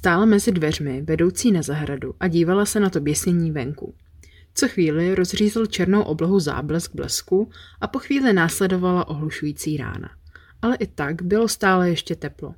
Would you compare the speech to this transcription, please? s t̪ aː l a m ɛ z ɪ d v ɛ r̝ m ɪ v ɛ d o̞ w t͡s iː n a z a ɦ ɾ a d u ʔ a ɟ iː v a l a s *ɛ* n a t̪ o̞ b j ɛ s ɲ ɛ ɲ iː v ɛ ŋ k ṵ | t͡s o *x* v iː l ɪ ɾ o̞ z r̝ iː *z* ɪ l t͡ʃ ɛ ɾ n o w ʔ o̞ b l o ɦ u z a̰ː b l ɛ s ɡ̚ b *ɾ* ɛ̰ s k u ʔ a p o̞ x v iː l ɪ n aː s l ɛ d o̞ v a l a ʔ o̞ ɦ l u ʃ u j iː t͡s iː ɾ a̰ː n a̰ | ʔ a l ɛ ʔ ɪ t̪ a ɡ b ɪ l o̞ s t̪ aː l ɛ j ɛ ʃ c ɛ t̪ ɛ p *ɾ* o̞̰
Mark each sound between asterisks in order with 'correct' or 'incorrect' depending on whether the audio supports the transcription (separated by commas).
correct, correct, correct, incorrect, incorrect